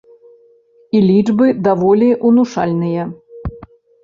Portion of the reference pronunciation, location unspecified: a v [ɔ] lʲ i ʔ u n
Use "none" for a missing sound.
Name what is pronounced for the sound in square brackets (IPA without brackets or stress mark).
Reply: ɔ